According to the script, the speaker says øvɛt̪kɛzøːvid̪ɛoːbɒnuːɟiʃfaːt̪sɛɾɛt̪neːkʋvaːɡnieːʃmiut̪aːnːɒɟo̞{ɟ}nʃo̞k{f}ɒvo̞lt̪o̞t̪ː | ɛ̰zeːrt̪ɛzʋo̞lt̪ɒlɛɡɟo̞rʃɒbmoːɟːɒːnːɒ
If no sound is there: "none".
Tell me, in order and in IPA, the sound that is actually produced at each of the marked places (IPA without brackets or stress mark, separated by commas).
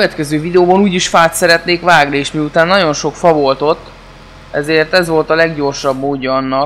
none, f